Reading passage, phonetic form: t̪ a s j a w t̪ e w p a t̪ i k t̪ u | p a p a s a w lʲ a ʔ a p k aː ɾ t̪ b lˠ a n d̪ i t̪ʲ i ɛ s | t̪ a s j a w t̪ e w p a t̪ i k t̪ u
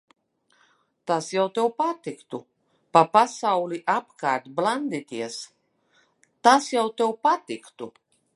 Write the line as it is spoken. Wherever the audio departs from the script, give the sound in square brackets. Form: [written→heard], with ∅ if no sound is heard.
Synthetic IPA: t̪ a s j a w t̪ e w p a t̪ i k t̪ u | p a p a s a w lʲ [a→i] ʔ a p k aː ɾ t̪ b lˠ a n d̪ i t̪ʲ i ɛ s | t̪ a s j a w t̪ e w p a t̪ i k t̪ u